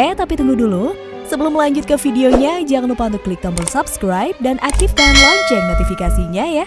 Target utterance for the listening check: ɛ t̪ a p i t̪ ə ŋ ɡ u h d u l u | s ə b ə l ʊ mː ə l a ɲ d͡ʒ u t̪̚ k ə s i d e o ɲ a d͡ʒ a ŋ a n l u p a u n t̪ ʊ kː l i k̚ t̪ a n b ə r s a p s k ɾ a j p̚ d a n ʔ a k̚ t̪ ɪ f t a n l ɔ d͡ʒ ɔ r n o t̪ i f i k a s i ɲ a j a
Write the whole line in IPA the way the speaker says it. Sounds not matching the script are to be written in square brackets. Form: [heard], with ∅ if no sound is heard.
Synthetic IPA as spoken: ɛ t̪ a p i t̪ ə ŋ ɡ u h d u l u | s ə b ə l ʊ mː ə l a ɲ d͡ʒ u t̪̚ k ə [f] i d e o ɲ a d͡ʒ a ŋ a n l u p a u n t̪ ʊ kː l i k̚ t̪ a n b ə r s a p s k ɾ a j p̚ d a n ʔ a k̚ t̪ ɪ f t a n l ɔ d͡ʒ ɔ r n o t̪ i f i k a s i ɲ a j a

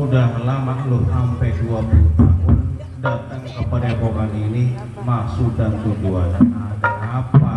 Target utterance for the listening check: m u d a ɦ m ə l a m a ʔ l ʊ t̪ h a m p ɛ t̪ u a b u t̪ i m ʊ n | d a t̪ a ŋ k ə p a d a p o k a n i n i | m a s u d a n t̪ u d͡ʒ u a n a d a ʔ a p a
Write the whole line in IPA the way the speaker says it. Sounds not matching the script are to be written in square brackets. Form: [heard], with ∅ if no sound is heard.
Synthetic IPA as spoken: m u d a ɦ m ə l a m a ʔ l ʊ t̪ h a m p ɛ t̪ u a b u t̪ [a] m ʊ n | d a t̪ a ŋ k ə p a d a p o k a n i n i | m a s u d a n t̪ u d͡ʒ u a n a d a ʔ a p a

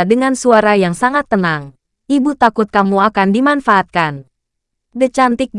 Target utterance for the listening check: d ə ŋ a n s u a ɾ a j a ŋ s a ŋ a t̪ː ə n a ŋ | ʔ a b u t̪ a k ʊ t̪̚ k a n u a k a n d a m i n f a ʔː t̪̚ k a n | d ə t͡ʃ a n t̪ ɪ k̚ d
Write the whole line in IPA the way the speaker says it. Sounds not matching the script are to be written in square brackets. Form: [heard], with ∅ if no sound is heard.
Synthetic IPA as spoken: d ə ŋ a n s u a ɾ a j a ŋ s a ŋ a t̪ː ə n a ŋ | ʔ [i] b u t̪ a k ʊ t̪̚ k a [m] u a k a n d [i] m [a] n f a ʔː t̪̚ k a n | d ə t͡ʃ a n t̪ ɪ k̚ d

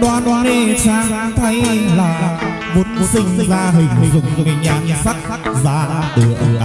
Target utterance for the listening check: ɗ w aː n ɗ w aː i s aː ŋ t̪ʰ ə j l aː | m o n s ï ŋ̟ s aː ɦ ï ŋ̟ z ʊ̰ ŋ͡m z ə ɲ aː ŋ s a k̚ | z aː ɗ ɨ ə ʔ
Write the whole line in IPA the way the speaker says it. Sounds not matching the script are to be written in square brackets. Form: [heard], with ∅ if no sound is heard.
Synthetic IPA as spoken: ɗ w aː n ɗ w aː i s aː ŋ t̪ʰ ə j l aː | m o n s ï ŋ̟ [z] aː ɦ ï ŋ̟ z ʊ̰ ŋ͡m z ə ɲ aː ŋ s a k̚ | z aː ɗ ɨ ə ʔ

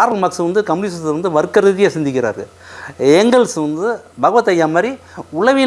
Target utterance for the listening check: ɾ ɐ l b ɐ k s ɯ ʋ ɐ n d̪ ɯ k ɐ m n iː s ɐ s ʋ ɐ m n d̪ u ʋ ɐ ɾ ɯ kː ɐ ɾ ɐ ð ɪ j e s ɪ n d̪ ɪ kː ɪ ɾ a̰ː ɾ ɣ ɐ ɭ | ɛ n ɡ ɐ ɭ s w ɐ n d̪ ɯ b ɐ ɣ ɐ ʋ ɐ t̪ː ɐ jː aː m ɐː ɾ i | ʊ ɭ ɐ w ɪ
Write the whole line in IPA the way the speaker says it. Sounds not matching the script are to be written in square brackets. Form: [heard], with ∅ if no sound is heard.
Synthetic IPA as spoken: ɾ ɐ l [m] ɐ k s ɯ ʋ ɐ n d̪ ɯ k ɐ m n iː s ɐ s ʋ ɐ [∅] n d̪ [ɯ] ʋ ɐ ɾ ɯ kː ɐ ɾ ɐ ð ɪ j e s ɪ n d̪ ɪ kː ɪ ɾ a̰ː ɾ ɣ ɐ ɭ | ɛ [ŋ] ɡ ɐ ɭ s [ʋ] ɐ n d̪ ɯ b ɐ ɣ ɐ ʋ ɐ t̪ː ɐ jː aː m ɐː ɾ i | ʊ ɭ ɐ [ʋ] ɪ

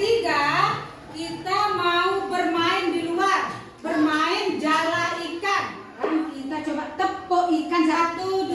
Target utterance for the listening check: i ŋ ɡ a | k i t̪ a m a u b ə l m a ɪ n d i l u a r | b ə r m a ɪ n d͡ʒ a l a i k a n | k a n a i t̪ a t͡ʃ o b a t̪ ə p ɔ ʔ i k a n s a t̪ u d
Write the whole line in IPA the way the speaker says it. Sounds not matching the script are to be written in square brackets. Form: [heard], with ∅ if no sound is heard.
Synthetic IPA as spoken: i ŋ ɡ a | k i t̪ a m a u b ə [r] m a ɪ n d i l u a r | b ə r m a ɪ n d͡ʒ a l a i k a n | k a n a i t̪ a t͡ʃ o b a t̪ ə p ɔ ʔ i k a n s a t̪ u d

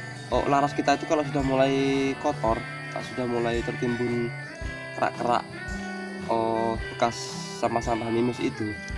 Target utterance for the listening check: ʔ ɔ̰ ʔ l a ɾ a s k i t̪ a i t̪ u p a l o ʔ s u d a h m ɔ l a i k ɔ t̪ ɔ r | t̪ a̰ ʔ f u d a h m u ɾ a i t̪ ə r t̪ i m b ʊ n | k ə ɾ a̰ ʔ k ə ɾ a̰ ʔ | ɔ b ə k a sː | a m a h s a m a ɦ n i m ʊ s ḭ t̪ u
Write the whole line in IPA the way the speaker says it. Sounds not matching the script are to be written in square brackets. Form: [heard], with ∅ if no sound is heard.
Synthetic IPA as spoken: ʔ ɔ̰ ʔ l a ɾ a s k i t̪ a i t̪ u [k] a l o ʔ s u d a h m [u] l a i k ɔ t̪ ɔ r | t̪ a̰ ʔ [s] u d a h m u [l] a i t̪ ə r t̪ i m b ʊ n | k ə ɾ a̰ ʔ k ə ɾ a̰ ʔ | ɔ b ə k a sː | a m a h s a m a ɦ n i m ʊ s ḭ t̪ u

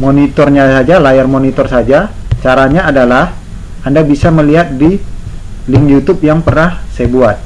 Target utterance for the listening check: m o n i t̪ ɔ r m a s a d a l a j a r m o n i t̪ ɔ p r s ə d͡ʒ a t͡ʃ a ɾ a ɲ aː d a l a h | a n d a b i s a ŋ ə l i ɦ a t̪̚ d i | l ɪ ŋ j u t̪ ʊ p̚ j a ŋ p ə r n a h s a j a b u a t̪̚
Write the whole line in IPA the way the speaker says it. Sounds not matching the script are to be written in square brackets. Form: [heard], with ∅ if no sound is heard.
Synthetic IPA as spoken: m o n i t̪ ɔ r [ɲ] a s a [d͡ʒ] a l a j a r m o n i t̪ ɔ [∅] r s [a] d͡ʒ a t͡ʃ a ɾ a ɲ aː d a l a h | a n d a b i s a [m] ə l i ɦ a t̪̚ d i | l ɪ ŋ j u t̪ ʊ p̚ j a ŋ p ə r n a h s a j a b u a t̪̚

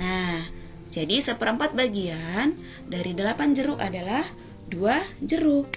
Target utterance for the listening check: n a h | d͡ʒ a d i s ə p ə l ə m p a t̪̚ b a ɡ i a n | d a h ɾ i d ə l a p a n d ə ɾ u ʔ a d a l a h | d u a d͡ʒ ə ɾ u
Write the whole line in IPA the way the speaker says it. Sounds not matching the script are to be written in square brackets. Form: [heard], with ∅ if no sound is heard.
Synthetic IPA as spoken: n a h | d͡ʒ a d i s ə p ə [ɾ] ə m p a t̪̚ b a ɡ i a n | d a [∅] ɾ i d ə l a p a n [d͡ʒ] ə ɾ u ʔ a d a l a h | d u a d͡ʒ ə ɾ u

